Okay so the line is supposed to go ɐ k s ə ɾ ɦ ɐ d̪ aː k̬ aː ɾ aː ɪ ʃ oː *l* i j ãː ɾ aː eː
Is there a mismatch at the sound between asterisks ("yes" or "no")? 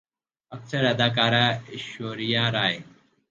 yes